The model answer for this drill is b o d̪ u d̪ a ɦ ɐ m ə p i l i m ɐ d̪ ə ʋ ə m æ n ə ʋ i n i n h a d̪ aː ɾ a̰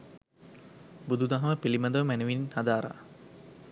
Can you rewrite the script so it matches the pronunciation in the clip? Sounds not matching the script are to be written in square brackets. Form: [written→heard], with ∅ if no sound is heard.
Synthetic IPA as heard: b [o→u] d̪ u d̪ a ɦ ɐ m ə p i l i m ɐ d̪ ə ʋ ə m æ n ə ʋ i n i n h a d̪ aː ɾ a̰